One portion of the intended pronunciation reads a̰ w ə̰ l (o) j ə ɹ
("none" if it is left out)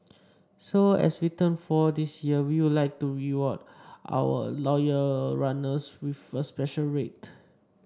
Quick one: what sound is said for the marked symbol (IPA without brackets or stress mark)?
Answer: ɔ